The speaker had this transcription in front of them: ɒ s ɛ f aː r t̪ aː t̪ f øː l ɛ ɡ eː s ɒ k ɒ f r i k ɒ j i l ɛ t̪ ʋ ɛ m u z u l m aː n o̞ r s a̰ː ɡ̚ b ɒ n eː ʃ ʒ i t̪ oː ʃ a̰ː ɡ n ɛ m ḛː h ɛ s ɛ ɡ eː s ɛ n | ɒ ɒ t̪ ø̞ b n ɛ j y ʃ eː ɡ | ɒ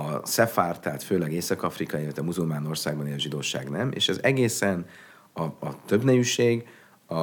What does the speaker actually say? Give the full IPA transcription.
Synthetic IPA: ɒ s ɛ f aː r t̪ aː t̪ f øː l ɛ ɡ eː s ɒ k ɒ f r i k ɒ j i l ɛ t̪ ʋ ɛ m u z u l m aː n o̞ r s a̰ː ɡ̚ b ɒ n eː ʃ ʒ i d̪ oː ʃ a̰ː ɡ n ɛ m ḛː ʃ ɛ z ɛ ɡ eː s ɛ n | ɒ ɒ t̪ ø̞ b n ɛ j y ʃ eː ɡ | ɒ